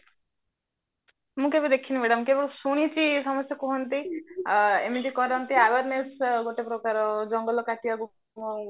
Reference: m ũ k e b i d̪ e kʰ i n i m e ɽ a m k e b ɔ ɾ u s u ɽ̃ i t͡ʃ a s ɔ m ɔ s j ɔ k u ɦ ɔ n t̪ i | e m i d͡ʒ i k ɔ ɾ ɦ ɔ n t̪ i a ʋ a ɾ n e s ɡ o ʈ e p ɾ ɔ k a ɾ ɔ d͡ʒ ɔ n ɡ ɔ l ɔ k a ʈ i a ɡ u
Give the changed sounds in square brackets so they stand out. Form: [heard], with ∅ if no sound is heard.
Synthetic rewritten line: m ũ k e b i d̪ e kʰ i n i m e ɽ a m k e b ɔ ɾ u s u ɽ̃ i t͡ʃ [i] s ɔ m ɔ s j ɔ k u ɦ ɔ n t̪ i | e m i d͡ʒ i k ɔ ɾ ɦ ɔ n t̪ i a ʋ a ɾ n e s ɡ o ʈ e p ɾ ɔ k a ɾ ɔ d͡ʒ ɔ [ŋ] ɡ ɔ l ɔ k a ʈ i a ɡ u

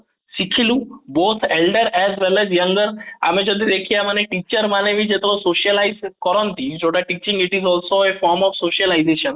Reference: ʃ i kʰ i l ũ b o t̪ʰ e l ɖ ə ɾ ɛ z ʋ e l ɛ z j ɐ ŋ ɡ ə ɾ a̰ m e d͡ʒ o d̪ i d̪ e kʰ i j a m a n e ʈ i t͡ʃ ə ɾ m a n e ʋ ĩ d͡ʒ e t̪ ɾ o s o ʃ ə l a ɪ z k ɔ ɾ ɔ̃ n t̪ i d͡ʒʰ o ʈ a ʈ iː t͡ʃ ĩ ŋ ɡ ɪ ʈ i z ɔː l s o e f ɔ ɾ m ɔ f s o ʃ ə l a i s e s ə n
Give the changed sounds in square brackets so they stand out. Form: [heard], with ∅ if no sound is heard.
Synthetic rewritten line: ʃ i kʰ i l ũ b o t̪ʰ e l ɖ ə ɾ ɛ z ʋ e l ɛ z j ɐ ŋ ɡ ə ɾ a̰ m e d͡ʒ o d̪ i d̪ e kʰ i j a m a n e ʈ i t͡ʃ ə ɾ m a n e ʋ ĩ d͡ʒ e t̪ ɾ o s o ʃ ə l a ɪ z k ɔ ɾ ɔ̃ n t̪ i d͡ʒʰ o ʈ a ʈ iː t͡ʃ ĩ ŋ ɡ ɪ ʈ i z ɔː l s o e f ɔ ɾ m ɔ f s o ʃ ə l a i [z] e [ʃ] ə n

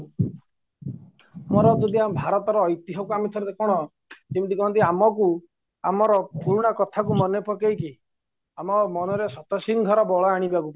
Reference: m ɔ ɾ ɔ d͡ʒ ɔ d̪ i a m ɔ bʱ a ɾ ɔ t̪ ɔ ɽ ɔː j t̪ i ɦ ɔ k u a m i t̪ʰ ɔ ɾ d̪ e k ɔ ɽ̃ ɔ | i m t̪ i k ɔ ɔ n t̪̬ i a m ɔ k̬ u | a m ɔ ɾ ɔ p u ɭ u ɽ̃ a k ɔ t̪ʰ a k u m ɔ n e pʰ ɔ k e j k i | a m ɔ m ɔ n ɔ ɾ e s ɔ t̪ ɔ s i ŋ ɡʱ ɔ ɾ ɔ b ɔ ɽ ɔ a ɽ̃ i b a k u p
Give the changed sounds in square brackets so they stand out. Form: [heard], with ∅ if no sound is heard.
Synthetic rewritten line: m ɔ ɾ ɔ d͡ʒ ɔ d̪ i a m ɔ bʱ a ɾ ɔ t̪ ɔ [ɾ] ɔː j t̪ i ɦ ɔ k u a m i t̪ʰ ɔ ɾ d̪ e k ɔ ɽ̃ ɔ | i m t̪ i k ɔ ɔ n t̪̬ i a m ɔ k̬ u | a m ɔ ɾ ɔ p u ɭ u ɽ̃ a k ɔ t̪ʰ a k u m ɔ n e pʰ ɔ k e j k i | a m ɔ m ɔ n ɔ ɾ e s ɔ t̪ ɔ s i ŋ ɡʱ ɔ ɾ ɔ b ɔ [ɭ] ɔ a ɽ̃ i b a k u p

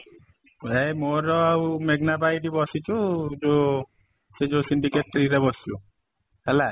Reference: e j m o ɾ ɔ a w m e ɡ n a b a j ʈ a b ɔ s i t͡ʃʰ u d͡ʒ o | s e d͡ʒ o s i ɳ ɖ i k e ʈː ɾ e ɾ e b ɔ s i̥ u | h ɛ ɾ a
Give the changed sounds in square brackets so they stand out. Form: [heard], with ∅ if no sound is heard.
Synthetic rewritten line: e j m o ɾ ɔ a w m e ɡ n a b a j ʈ [i] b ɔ s i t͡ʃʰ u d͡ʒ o | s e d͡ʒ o s i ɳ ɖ i k e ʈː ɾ [i] ɾ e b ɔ s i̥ u | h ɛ [l] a

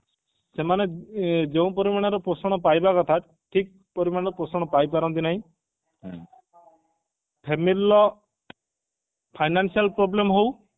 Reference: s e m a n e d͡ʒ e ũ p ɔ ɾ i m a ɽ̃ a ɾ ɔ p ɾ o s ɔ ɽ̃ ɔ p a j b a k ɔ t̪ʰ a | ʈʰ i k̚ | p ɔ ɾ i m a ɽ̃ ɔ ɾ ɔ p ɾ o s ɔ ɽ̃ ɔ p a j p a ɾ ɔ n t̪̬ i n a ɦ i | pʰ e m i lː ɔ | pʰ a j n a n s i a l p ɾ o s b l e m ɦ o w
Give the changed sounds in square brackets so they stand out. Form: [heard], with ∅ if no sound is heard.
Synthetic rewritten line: s e m a n e d͡ʒ e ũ p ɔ ɾ i m a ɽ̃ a ɾ ɔ p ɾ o s ɔ ɽ̃ ɔ p a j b a k ɔ t̪ʰ a | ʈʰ i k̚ | p ɔ ɾ i m a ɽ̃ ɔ ɾ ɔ p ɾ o s ɔ ɽ̃ ɔ p a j p a ɾ ɔ n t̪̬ i n a ɦ [ĩ] | pʰ e m i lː ɔ | pʰ a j n a n s i a l p ɾ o [∅] b l e m ɦ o w

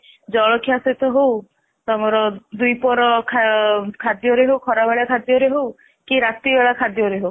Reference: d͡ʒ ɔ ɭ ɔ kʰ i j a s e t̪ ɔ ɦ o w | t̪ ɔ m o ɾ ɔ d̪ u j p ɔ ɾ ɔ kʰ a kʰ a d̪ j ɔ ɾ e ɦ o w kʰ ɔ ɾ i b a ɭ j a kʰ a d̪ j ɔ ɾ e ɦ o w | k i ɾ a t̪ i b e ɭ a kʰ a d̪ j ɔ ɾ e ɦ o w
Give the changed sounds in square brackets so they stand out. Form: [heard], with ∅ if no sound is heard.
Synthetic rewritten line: d͡ʒ ɔ ɭ ɔ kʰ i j a s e t̪ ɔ ɦ o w | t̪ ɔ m [ɔ] ɾ ɔ d̪ u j p ɔ ɾ ɔ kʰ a kʰ a d̪ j ɔ ɾ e ɦ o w kʰ ɔ ɾ [a] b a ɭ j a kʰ a d̪ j ɔ ɾ e ɦ o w | k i ɾ a t̪ i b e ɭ a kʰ a d̪ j ɔ ɾ e ɦ o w

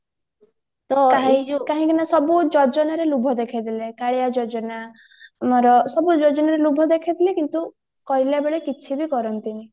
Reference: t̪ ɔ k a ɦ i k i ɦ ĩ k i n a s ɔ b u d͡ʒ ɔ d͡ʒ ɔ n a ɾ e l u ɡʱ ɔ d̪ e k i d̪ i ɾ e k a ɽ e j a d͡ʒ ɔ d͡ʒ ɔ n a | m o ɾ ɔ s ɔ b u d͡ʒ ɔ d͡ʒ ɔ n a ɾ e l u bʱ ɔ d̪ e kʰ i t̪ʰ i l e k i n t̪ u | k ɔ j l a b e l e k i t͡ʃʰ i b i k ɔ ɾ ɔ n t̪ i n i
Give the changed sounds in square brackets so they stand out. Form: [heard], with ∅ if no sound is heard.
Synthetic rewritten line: t̪ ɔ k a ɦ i k [a] ɦ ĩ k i n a s ɔ b u d͡ʒ ɔ d͡ʒ ɔ n a ɾ e l u [bʱ] ɔ d̪ e [kʰ] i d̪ i [l] e k a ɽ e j a d͡ʒ ɔ d͡ʒ ɔ n a | m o ɾ ɔ s ɔ b u d͡ʒ ɔ d͡ʒ ɔ n a ɾ e l u bʱ ɔ d̪ e kʰ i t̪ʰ i l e k i n t̪ u | k ɔ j l a b e [ɭ] e k i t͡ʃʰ i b i k ɔ ɾ ɔ n t̪ i n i

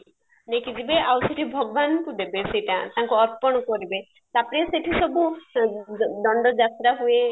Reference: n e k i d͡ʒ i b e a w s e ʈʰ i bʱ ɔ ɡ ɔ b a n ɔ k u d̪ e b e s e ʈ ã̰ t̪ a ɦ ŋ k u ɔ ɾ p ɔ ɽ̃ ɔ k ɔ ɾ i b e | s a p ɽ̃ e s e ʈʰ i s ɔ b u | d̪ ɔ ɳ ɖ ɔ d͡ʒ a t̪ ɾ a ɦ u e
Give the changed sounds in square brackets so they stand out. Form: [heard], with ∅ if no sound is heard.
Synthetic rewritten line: n e k i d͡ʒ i b e a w s e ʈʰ i bʱ ɔ ɡ ɔ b a n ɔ k u d̪ e b e s e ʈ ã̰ t̪ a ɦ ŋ k u ɔ ɾ p ɔ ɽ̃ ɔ k ɔ ɾ i b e | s a p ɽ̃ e s e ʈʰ i s ɔ b u | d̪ ɔ ɳ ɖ ɔ d͡ʒ a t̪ ɾ a ɦ u e

